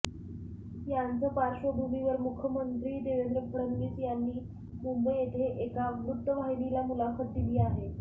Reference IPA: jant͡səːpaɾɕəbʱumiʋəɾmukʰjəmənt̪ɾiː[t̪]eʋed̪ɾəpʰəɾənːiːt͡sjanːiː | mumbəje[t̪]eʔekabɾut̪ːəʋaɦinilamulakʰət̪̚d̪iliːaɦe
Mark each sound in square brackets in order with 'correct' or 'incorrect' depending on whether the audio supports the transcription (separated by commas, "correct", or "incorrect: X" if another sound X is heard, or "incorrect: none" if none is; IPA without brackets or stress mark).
incorrect: d̪, incorrect: t̪ʰ